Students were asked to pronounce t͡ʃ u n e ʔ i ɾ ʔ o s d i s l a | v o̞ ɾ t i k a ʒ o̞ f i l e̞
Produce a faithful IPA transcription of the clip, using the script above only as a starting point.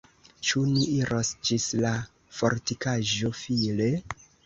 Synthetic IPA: t͡ʃ u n i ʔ i ɾ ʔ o s d͡ʒ i s l a | f o̞ ɾ t i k a ʒ o̞ f i l e̞